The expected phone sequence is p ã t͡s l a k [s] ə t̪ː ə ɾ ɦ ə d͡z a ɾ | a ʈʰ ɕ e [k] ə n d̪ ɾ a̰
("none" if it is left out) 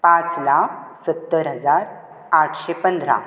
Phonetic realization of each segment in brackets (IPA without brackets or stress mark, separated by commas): s, p